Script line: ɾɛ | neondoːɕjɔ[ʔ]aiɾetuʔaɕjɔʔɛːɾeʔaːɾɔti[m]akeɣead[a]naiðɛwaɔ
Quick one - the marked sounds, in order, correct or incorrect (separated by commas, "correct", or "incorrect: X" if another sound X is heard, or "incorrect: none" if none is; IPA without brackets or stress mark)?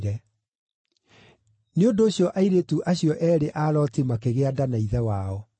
correct, correct, correct